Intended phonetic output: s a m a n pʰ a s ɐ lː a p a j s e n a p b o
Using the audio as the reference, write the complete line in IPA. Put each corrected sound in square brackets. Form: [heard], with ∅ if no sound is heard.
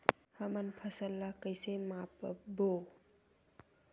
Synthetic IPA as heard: [h] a m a n pʰ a s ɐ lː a [k] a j s e [m] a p b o